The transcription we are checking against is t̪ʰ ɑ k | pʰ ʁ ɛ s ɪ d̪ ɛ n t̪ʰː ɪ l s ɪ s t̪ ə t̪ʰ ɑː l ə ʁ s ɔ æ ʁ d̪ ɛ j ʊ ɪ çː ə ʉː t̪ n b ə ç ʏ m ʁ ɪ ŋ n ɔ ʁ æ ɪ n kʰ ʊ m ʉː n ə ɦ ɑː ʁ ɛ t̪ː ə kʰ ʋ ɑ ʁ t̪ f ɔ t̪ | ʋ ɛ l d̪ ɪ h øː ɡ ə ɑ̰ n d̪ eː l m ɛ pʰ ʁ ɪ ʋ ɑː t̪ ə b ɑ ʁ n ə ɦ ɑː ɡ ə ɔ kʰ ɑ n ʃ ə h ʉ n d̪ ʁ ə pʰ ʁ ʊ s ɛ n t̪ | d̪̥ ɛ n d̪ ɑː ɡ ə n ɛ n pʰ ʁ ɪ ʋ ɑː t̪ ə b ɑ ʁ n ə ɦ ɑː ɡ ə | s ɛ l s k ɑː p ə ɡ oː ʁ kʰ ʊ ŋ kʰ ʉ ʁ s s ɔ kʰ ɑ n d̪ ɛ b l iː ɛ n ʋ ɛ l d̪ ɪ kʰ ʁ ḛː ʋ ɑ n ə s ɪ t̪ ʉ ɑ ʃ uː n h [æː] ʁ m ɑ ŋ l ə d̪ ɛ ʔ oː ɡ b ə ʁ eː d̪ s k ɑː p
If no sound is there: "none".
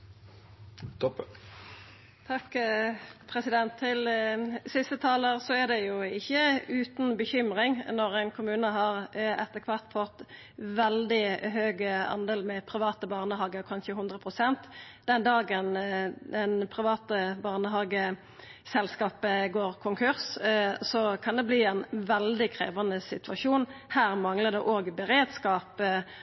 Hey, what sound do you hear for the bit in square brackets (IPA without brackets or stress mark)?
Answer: æː